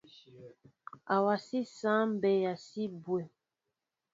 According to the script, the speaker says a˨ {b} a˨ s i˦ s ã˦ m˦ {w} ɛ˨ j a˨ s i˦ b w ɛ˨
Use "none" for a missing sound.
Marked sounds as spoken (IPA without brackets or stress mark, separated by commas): w, b